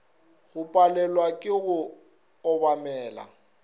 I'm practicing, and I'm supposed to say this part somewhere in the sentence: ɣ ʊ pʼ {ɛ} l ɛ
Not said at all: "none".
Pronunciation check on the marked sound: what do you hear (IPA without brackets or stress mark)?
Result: a